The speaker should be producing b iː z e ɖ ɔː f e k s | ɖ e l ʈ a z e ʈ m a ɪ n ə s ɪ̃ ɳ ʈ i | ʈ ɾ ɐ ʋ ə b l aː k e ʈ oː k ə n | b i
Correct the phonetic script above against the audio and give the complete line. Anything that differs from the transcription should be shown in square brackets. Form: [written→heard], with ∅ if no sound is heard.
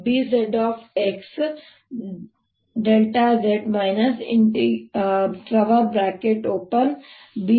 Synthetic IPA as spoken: b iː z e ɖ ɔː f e k s | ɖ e l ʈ a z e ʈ m a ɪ n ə s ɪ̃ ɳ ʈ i | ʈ ɾ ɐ ʋ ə b [l→ɾ] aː k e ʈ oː [k→p] ə n | b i